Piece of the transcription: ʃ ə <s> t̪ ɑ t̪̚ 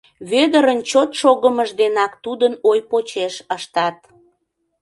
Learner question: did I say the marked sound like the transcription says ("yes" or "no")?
no